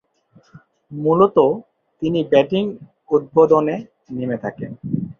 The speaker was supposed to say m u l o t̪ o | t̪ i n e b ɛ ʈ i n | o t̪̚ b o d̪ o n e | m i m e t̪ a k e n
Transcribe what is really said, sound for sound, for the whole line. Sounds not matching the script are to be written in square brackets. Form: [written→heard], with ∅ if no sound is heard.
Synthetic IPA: m u l o t̪ o | t̪ i n [e→i] b ɛ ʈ i [n→ŋ] | [o→u] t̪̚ b o d̪ o n e | [m→n] i m e [t̪→t̪ʰ] a k e n